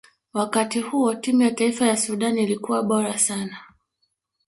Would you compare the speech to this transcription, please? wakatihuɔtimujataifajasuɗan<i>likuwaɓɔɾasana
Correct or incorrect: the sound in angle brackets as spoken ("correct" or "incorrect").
correct